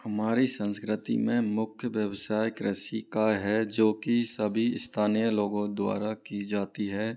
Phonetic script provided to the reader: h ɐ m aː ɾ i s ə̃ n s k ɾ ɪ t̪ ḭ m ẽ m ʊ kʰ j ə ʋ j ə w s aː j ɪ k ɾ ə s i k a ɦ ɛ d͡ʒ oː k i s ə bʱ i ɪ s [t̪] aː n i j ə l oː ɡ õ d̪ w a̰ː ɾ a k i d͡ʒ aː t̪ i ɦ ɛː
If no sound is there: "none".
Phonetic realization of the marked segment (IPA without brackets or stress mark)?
t̪ʰ